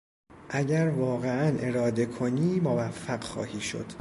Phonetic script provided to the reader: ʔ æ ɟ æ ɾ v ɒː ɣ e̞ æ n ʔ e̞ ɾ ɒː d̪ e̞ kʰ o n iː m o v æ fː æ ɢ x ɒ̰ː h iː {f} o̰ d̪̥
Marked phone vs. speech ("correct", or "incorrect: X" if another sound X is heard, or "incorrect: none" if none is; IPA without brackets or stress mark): incorrect: ʃ